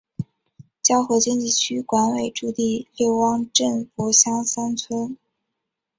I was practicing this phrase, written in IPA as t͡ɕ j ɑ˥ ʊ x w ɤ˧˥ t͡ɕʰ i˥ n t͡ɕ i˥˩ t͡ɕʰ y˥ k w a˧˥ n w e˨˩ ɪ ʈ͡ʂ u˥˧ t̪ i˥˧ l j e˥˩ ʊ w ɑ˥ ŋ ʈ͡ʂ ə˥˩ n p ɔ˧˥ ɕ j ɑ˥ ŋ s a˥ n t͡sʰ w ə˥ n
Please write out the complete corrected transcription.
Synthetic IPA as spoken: t͡ɕ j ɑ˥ ʊ x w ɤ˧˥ t͡ɕ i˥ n t͡ɕ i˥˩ t͡ɕʰ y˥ k w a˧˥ n w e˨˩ ɪ ʈ͡ʂ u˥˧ t̪ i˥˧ l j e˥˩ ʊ w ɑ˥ ŋ ʈ͡ʂ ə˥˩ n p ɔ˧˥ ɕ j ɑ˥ ŋ s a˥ n t͡sʰ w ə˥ n